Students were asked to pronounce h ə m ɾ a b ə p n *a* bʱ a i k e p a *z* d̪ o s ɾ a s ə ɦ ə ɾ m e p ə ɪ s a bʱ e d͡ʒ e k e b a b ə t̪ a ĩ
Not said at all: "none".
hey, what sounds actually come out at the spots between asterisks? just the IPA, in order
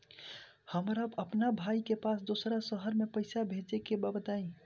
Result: a, s

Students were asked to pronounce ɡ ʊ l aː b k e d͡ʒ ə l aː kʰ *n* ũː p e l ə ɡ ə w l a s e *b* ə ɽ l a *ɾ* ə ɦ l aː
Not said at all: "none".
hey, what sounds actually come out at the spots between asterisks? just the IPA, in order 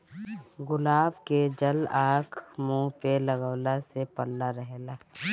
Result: m, p, ɾ

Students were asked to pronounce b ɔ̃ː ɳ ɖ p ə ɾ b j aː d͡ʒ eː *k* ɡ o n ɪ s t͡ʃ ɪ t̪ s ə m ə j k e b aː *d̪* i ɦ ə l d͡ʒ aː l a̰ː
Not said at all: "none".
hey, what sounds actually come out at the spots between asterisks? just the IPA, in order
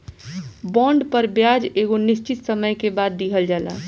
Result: none, d̪ː

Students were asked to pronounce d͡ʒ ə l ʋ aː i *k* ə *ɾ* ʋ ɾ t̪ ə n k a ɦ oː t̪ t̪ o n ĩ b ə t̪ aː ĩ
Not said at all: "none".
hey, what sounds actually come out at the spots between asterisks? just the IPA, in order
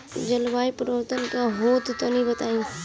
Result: p, ɾ

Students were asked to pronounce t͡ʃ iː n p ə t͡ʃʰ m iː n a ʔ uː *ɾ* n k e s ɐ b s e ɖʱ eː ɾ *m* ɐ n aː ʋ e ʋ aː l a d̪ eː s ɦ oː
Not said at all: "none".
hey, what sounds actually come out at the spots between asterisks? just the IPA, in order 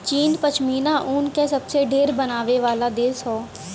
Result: none, b

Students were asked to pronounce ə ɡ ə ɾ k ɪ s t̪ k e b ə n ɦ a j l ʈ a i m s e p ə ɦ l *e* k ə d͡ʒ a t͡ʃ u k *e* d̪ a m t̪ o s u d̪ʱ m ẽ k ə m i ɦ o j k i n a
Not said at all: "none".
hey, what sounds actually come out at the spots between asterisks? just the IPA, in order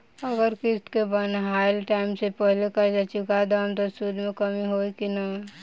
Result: e, a

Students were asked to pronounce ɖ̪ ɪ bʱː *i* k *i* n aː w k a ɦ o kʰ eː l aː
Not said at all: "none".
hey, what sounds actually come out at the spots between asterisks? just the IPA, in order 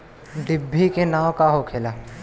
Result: i, e

